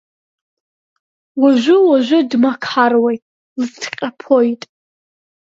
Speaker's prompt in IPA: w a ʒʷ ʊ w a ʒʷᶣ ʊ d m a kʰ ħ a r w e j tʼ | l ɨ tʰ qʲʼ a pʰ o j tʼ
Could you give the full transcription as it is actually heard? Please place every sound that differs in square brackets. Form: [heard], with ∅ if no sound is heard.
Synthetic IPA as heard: w a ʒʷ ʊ w a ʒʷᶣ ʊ d m a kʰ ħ a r w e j tʼ | l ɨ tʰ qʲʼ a pʰ o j tʼ